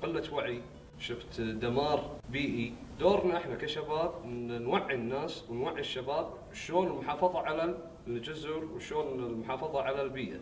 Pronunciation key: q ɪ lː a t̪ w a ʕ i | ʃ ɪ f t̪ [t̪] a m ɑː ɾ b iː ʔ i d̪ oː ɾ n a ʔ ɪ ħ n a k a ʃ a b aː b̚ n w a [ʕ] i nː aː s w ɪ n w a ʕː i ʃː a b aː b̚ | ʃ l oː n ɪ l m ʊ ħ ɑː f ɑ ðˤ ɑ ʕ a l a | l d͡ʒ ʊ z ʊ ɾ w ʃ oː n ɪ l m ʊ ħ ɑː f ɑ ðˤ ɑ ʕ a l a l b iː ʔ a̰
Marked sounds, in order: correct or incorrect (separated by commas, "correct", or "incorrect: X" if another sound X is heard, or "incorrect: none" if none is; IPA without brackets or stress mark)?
incorrect: d̪, incorrect: ʕː